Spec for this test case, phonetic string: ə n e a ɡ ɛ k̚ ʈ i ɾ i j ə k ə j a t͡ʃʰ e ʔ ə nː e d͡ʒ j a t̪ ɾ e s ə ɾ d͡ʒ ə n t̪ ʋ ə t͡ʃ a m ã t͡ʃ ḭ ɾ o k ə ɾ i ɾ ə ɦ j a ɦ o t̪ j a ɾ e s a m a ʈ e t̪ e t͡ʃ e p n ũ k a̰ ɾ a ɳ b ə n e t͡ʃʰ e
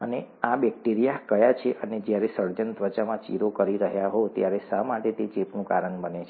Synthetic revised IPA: ə n e a b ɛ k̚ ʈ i ɾ i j a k ə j a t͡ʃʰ e ʔ ə n e d͡ʒ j a ɾ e s ə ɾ d͡ʒ ə n t̪ ʋ ə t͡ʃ a m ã t͡ʃ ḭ ɾ o k ə ɾ i ɾ ə ɦ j a ɦ o t̪ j a ɾ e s a m a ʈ e t̪ e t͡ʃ e p n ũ k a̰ ɾ ə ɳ b ə n e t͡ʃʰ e